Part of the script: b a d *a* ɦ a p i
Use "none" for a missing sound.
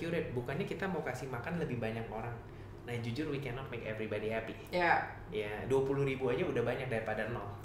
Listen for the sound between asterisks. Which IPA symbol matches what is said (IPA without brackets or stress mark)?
i